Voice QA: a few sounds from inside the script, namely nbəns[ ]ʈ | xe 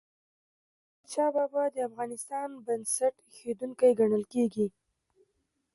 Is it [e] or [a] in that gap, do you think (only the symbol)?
a